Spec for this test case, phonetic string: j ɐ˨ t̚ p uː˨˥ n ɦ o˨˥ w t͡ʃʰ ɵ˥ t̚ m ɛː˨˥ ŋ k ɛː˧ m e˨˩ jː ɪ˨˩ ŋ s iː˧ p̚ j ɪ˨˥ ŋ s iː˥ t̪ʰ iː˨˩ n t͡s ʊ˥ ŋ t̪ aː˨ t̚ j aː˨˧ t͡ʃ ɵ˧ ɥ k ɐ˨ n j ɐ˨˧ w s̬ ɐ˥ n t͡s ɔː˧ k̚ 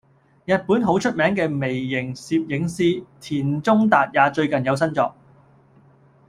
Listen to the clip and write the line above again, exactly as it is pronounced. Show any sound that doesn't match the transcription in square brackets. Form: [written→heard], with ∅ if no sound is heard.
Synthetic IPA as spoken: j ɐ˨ t̚ p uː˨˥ n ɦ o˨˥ w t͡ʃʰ ɵ˥ t̚ m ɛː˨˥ ŋ k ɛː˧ m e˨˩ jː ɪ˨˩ ŋ s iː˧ p̚ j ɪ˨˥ ŋ s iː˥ t̪ʰ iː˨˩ n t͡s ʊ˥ ŋ t̪ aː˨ t̚ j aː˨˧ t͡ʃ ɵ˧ ɥ k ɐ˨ n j ɐ˨˧ w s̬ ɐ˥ n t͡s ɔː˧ k̚